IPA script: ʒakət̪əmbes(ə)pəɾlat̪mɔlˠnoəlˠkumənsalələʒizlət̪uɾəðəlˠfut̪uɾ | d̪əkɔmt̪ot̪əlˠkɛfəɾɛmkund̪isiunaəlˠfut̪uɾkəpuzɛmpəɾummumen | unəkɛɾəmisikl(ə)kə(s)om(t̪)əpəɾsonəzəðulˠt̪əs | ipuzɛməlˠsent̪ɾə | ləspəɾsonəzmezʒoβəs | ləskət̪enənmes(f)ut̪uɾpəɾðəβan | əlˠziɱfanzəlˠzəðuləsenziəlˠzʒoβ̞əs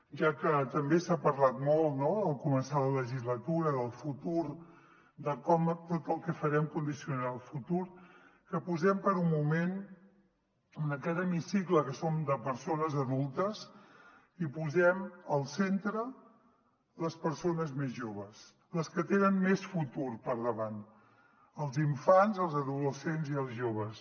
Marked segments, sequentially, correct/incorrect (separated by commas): incorrect, correct, correct, incorrect, correct